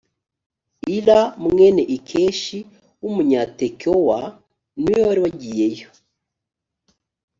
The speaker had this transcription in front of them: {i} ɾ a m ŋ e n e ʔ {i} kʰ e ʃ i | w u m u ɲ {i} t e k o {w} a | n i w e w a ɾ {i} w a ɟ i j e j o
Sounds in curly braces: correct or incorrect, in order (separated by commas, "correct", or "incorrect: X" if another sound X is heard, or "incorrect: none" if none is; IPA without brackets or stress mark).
correct, correct, incorrect: a, correct, correct